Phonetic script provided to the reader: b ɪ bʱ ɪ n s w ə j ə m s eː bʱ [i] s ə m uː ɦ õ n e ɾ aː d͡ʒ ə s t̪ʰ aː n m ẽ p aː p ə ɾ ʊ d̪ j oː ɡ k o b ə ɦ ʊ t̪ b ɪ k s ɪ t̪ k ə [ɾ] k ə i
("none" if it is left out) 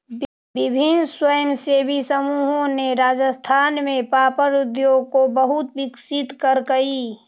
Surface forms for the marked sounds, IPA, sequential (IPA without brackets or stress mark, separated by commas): i, ɾ